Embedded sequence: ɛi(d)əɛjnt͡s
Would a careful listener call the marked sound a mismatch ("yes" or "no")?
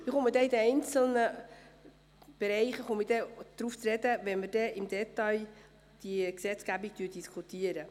no